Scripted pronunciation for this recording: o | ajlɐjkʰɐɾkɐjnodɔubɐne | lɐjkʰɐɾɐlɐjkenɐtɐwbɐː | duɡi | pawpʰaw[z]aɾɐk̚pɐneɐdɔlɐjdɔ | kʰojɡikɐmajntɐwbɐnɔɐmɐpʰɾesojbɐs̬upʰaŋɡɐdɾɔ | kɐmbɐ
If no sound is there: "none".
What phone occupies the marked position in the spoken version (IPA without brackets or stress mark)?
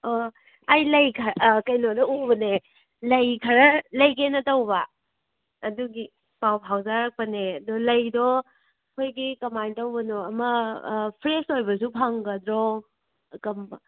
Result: z